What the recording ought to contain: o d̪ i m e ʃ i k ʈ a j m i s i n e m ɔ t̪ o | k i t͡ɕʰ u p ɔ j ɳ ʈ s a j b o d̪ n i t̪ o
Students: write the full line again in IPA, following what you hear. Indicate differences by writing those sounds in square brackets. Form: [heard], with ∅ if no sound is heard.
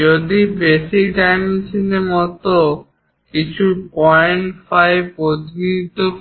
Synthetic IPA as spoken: o d̪ i [b] e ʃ i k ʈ a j m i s i n e m ɔ t̪ o | k i t͡ɕʰ u p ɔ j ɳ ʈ [f] a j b o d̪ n i t̪ o